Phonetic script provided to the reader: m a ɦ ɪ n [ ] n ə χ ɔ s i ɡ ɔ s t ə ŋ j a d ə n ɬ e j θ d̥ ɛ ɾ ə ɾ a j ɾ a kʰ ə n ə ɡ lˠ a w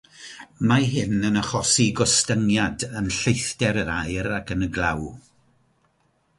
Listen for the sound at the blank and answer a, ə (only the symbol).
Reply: ə